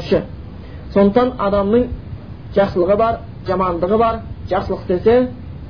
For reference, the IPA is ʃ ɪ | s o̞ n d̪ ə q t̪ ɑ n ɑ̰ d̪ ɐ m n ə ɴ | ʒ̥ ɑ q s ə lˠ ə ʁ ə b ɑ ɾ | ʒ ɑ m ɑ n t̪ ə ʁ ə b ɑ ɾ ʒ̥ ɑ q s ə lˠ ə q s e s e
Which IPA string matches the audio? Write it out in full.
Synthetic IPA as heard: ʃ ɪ | s o̞ n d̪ ə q t̪ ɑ n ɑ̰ d̪ ɑ m n ə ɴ | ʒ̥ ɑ q s ə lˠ ə ʁ ə b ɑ ɾ | ʒ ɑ m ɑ n d̪ ə ʁ ə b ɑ ɾ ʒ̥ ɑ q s ə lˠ ə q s e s e